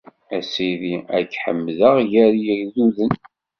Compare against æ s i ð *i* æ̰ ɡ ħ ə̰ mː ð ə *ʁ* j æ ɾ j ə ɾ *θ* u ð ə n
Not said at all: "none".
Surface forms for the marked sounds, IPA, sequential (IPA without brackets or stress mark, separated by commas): i, ʁ, ð